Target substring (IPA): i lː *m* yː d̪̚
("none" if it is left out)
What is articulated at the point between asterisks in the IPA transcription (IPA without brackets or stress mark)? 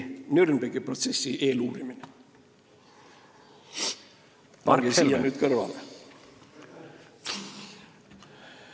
n